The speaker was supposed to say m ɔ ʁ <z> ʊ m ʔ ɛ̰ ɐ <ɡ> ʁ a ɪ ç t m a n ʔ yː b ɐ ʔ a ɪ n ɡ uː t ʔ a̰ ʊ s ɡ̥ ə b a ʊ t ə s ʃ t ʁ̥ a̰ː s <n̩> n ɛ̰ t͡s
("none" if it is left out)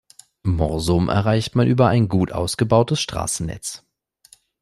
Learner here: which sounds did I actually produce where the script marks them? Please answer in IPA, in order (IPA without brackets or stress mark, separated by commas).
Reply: z, none, n̩